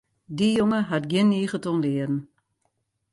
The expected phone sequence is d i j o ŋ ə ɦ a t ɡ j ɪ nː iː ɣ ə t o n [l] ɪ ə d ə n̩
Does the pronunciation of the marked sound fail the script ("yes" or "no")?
no